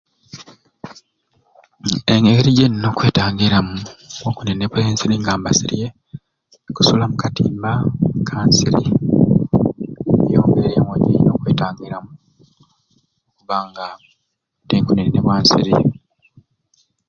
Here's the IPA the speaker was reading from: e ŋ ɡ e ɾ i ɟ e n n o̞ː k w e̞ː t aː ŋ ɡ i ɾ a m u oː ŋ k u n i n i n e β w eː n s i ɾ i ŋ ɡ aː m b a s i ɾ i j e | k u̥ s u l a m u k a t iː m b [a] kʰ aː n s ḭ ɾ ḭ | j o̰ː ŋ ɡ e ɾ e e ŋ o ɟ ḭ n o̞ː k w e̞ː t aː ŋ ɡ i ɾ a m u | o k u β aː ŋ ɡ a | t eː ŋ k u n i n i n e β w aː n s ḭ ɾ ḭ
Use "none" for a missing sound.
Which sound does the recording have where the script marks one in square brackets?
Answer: a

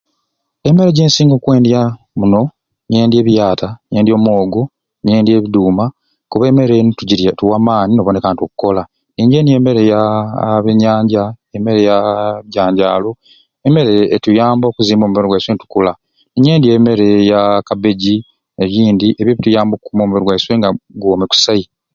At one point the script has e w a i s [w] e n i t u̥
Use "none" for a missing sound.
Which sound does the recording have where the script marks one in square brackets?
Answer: w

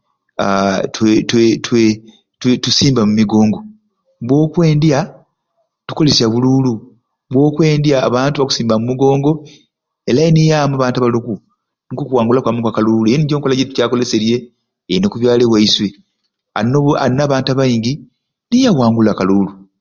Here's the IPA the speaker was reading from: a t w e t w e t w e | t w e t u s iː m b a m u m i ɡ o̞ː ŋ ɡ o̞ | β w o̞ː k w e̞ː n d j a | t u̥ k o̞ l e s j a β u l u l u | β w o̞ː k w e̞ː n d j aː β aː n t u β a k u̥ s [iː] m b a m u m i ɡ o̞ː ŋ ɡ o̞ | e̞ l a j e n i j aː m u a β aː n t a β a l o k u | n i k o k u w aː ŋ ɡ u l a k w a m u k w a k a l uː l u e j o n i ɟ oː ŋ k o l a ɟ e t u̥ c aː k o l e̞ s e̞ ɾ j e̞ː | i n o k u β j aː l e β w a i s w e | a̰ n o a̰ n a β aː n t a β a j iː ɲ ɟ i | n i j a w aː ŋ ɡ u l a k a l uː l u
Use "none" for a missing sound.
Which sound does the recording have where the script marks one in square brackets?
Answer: iː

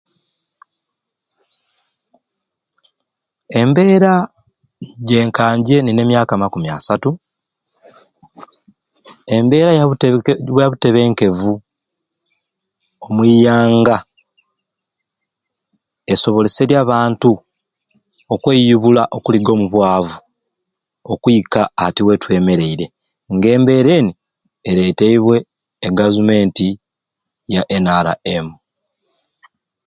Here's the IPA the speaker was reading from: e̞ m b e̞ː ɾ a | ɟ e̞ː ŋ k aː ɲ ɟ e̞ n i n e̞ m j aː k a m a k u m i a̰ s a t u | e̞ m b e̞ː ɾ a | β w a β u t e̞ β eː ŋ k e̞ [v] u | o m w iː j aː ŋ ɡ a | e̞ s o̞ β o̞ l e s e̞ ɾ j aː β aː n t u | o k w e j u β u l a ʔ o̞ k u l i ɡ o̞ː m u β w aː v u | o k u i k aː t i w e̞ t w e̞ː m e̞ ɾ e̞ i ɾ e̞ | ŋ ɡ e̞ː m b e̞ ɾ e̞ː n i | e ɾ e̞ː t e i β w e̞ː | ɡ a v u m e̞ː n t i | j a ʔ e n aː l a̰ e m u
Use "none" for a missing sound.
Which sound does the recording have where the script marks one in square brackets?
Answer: v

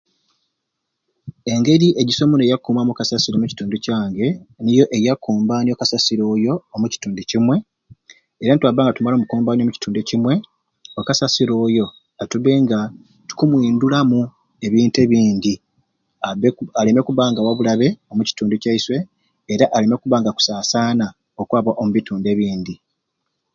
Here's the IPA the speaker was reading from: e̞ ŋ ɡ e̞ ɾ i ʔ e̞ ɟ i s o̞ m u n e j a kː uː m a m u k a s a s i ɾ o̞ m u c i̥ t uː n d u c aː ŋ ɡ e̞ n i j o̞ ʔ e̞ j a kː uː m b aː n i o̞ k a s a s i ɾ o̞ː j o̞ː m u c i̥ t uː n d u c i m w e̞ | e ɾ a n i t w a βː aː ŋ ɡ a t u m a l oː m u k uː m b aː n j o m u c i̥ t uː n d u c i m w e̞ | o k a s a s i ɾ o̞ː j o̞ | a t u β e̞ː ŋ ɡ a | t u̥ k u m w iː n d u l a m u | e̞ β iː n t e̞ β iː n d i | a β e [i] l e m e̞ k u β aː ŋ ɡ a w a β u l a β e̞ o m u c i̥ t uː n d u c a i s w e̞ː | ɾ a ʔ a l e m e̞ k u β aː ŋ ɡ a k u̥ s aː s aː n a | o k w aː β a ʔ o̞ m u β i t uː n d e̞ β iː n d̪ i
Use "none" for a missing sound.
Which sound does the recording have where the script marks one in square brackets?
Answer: a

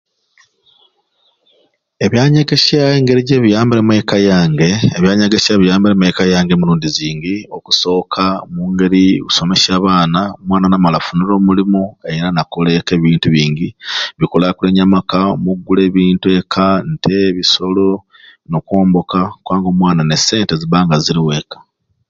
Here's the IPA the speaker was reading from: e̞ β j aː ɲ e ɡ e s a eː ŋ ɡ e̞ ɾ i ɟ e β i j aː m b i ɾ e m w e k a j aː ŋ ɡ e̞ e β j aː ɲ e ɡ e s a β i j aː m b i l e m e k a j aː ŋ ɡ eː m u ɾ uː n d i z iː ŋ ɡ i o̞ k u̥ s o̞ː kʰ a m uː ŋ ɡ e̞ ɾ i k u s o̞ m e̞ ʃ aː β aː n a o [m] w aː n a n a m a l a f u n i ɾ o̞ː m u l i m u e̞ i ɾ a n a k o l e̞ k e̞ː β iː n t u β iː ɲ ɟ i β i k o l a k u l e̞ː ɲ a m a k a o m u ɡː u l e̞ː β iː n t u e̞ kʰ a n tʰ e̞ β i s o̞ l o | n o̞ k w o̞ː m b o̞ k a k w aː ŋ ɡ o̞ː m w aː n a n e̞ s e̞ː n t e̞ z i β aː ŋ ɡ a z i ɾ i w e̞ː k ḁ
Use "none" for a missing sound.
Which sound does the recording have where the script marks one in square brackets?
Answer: m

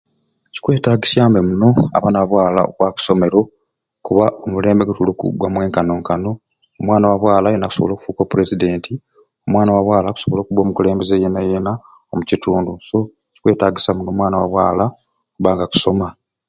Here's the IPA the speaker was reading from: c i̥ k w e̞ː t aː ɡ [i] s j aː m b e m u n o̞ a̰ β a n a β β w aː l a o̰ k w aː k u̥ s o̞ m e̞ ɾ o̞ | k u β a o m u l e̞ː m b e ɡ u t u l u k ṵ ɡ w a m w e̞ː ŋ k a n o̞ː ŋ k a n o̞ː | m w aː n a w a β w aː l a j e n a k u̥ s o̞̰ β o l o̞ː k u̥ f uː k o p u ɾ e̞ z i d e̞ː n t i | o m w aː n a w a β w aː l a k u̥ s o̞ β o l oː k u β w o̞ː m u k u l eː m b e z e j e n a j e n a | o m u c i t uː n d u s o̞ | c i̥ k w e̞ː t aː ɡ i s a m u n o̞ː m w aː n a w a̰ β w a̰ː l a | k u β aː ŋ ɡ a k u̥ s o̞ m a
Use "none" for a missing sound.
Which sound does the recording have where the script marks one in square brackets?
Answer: i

